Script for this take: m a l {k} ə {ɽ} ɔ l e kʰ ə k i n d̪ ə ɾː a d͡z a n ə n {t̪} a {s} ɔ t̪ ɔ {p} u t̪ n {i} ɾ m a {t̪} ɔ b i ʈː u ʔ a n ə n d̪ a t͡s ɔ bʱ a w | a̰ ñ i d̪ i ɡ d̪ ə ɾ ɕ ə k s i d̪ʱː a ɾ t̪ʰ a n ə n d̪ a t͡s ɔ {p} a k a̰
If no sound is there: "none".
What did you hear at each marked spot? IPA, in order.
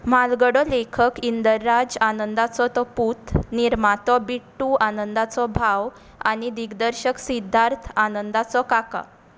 ɡ, ɽ, d̪, t͡s, p, i, t̪, k

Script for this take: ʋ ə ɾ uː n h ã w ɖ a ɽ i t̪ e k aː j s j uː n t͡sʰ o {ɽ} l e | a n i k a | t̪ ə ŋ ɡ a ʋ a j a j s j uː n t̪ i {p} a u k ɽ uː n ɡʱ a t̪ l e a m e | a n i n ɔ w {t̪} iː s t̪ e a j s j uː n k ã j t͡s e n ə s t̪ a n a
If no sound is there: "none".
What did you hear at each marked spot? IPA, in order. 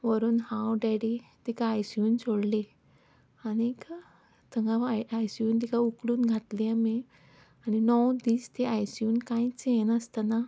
ɽ, k, d̪

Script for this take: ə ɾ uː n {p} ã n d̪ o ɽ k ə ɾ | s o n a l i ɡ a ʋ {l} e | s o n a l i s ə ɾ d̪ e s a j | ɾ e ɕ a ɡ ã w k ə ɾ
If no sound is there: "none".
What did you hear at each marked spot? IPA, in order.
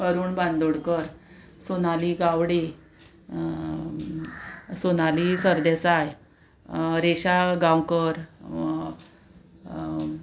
b, ɽ

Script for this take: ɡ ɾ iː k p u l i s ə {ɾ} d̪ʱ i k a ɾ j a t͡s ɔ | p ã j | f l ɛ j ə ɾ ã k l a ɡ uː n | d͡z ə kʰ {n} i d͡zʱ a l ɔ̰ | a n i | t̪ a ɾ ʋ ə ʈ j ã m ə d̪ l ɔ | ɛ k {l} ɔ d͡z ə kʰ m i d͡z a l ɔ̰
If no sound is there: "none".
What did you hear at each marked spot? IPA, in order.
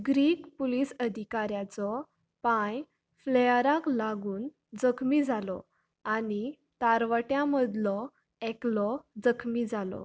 none, m, l

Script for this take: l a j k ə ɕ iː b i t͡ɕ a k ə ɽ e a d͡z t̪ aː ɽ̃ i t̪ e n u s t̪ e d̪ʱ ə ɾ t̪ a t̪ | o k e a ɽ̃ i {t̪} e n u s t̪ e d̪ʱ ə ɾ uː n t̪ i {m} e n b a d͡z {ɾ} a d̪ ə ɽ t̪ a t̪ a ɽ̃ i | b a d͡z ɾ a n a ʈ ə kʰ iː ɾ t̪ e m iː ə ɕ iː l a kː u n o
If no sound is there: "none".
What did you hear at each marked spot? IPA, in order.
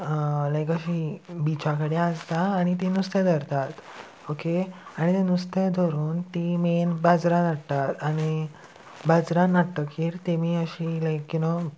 t̪, m, ɾ

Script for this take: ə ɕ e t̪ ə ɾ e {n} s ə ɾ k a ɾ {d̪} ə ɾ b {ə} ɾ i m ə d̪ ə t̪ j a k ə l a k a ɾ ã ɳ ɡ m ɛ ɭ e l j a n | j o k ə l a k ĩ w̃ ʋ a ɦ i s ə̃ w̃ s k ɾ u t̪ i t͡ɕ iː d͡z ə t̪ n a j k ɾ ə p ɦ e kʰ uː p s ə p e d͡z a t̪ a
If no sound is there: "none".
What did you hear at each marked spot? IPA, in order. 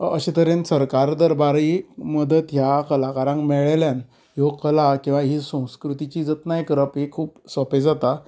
n, d̪, a

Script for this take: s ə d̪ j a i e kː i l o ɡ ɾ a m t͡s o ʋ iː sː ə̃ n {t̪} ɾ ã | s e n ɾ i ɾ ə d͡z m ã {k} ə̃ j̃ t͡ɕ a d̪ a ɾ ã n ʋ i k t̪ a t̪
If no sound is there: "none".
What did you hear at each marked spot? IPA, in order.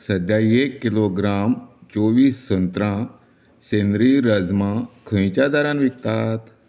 t̪, kʰ

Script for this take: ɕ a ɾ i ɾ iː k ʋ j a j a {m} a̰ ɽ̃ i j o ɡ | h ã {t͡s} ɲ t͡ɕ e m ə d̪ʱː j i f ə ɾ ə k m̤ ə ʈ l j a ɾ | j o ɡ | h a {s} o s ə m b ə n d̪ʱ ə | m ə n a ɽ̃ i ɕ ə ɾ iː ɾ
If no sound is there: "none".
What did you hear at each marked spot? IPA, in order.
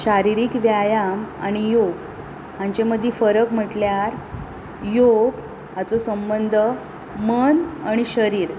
m, none, t͡s

